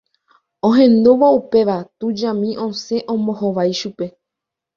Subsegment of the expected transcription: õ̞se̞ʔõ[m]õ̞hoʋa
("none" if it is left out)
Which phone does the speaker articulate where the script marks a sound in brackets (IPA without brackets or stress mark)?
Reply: m